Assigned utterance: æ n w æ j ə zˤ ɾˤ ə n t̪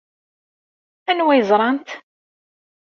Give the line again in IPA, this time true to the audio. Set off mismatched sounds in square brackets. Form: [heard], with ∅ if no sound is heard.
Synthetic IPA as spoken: æ n w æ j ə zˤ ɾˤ [ɑ] n t̪

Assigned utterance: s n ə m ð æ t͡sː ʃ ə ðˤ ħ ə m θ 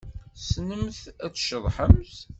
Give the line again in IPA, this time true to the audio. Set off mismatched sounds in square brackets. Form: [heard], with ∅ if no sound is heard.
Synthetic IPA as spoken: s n ə m [θ] æ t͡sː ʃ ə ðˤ ħ ə m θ

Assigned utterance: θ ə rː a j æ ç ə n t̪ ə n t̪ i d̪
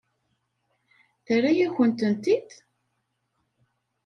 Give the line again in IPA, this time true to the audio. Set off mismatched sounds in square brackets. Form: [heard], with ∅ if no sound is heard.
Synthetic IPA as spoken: θ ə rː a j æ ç ə n t̪ ə n t̪ i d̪

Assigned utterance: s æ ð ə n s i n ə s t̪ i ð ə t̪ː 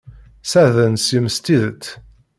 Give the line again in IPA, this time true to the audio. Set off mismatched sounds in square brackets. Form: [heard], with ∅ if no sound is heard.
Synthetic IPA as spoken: s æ ð ə n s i [m] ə s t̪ i ð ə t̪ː

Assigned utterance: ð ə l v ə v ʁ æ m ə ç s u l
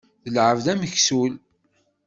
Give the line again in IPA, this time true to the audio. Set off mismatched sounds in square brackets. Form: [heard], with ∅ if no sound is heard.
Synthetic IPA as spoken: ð ə l [ʕ] ə v [ð] æ m ə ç s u l

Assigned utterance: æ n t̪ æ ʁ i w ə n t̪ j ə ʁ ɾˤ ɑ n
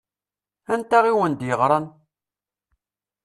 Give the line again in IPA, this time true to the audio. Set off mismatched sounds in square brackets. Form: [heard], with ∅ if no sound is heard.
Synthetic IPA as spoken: æ n t̪ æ ʁ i w ə n [d̪] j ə ʁ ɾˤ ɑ n

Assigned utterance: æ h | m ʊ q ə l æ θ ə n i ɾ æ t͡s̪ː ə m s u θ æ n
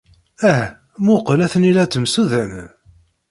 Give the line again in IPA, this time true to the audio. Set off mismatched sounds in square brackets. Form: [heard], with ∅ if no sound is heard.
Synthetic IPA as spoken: æ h | m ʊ q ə l æ θ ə n i [l] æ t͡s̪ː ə m s u [ð] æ n

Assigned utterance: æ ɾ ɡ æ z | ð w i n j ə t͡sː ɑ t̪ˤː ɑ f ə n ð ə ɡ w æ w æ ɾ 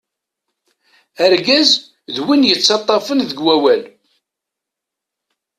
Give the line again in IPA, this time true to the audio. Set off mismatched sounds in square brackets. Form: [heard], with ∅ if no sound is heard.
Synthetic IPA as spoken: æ ɾ ɡ æ z | ð w i n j ə t͡sː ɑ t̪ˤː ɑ f ə n ð ə ɡ w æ w æ [l]

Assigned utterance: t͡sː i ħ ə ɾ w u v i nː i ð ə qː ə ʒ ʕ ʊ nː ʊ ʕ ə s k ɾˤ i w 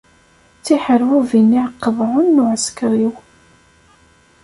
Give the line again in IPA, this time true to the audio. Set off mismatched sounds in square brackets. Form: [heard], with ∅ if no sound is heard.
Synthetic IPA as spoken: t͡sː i ħ ə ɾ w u v i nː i [ʕ] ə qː ə [v] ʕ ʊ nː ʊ ʕ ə s k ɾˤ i w

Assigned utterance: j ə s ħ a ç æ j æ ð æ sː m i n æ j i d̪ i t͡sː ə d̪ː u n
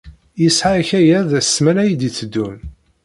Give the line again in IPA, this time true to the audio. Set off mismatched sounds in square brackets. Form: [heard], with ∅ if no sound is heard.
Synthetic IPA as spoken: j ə s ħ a ç æ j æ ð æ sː m [æ] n æ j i d̪ i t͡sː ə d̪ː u n

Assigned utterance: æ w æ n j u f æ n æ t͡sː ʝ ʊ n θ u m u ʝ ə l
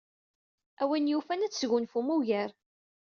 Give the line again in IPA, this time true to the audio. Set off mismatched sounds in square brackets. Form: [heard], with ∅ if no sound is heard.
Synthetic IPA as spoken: æ w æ n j u f æ n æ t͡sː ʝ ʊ n [f] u m u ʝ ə [ɾ]

